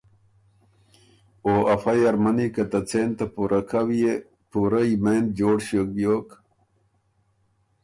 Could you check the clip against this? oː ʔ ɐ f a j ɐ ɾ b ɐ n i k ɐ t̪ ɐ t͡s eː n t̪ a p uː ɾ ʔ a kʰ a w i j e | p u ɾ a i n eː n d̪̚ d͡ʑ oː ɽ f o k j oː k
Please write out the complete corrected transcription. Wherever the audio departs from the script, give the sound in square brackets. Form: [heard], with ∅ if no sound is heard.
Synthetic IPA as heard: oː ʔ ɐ f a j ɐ ɾ [m] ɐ n i k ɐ t̪ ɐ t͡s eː n t̪ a p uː ɾ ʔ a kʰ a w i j e | p u ɾ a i [m] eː n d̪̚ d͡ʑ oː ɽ [ɕ] o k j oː k